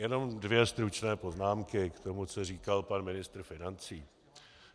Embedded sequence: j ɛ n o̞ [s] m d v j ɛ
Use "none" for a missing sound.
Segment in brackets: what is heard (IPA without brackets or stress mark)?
none